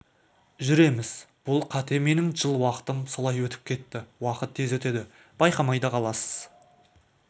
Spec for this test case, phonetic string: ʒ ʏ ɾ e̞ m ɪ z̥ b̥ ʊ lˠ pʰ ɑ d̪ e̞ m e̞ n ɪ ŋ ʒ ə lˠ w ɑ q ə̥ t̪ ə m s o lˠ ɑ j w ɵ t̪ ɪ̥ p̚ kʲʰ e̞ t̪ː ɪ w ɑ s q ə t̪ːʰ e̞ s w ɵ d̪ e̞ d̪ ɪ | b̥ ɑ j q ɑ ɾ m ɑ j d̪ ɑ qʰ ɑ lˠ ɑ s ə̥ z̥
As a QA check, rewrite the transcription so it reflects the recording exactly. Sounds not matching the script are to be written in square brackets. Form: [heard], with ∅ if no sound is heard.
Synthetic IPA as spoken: ʒ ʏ ɾ e̞ m ɪ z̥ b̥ ʊ lˠ [qʰ] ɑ [t̪] e̞ m e̞ n ɪ ŋ ʒ ə lˠ w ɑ q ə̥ t̪ ə m s o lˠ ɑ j w ɵ t̪ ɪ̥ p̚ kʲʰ e̞ t̪ː ɪ w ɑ [∅] q ə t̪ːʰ e̞ [z] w ɵ [t̪] e̞ d̪ ɪ | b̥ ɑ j q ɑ [∅] m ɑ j d̪ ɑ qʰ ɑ lˠ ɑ s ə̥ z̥

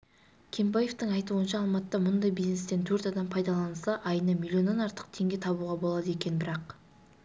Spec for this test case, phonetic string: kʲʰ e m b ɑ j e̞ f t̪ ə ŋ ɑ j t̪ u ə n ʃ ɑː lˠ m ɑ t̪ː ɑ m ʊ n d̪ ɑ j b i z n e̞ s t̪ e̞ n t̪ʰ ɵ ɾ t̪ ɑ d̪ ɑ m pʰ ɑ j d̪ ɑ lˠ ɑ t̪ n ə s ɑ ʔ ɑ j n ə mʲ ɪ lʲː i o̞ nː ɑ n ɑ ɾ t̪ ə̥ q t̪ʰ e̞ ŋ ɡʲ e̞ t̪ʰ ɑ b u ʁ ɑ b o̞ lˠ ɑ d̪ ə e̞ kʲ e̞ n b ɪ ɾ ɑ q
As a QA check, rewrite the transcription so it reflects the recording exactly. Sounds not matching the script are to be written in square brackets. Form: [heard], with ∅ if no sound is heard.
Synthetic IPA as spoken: kʲʰ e m b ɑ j e̞ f t̪ ə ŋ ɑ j t̪ u ə n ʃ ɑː lˠ m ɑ t̪ː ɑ m ʊ n d̪ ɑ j b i z n e̞ s t̪ e̞ n t̪ʰ ɵ ɾ t̪ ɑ d̪ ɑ m pʰ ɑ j d̪ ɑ lˠ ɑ [∅] n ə s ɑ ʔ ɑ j n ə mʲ [i] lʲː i o̞ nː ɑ n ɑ ɾ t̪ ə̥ q t̪ʰ e̞ ŋ ɡʲ e̞ t̪ʰ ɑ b u ʁ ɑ b o̞ lˠ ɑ d̪ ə e̞ kʲ e̞ n b ɪ ɾ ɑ q

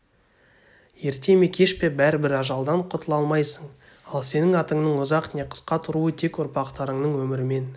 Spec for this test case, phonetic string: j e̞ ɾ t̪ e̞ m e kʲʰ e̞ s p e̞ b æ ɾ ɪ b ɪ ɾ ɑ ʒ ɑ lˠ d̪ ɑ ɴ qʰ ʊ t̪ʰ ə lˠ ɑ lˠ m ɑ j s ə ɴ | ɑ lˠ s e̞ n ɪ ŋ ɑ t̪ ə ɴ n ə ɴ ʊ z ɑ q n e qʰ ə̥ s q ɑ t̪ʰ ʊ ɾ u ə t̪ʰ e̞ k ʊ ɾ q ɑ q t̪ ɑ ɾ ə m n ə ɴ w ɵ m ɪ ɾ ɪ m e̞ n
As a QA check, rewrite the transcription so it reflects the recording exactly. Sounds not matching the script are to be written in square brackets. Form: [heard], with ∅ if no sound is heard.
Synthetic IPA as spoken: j e̞ ɾ t̪ e̞ m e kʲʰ e̞ [ʃ] p e̞ b æ ɾ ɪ b ɪ ɾ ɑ ʒ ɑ lˠ d̪ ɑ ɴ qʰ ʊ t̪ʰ ə lˠ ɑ lˠ m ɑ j s ə ɴ | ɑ lˠ s e̞ n ɪ ŋ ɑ t̪ ə ɴ n ə ɴ ʊ z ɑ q n e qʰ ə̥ s q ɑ t̪ʰ ʊ ɾ u ə t̪ʰ e̞ k ʊ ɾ [p] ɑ q t̪ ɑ ɾ ə [ɴ] n ə ɴ w ɵ m ɪ ɾ ɪ m e̞ n

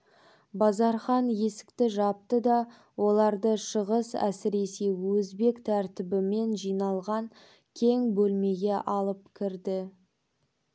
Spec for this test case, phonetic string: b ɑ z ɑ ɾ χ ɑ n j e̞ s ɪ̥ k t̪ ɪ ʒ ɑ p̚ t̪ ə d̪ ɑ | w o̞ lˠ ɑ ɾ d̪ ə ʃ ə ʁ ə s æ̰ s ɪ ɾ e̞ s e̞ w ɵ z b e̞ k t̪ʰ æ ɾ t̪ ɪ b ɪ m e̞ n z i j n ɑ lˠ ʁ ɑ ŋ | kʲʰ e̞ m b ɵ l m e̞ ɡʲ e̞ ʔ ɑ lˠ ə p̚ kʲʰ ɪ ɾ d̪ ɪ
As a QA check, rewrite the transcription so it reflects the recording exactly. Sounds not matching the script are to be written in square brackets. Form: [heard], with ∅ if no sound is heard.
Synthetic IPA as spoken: b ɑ z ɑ ɾ χ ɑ n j e̞ s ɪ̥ k t̪ ɪ ʒ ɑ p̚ t̪ ə d̪ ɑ | w o̞ lˠ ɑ ɾ d̪ ə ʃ ə ʁ ə s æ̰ s ɪ ɾ e̞ s e̞ w ɵ z b e̞ k t̪ʰ æ ɾ t̪ ɪ b ɪ m e̞ n [ʒ] i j n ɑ lˠ ʁ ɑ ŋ | kʲʰ e̞ [ŋ] b ɵ l m e̞ ɡʲ e̞ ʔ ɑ lˠ ə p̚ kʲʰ ɪ ɾ d̪ ɪ

